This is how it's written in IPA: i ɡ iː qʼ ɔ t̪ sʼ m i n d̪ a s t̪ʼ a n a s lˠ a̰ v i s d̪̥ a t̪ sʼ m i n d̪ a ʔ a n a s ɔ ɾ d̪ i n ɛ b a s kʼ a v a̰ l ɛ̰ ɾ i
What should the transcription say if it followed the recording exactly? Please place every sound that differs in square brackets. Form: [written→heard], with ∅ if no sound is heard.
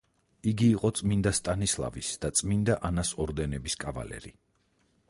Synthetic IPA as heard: i ɡ iː qʼ ɔ t̪ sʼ m i n d̪ a s t̪ʼ a n [a→i] s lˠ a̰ v i s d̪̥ a t̪ sʼ m i n d̪ a ʔ a n a s ɔ ɾ d̪ [i→ɛ] n ɛ b [a→i] s kʼ a v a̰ l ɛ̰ ɾ i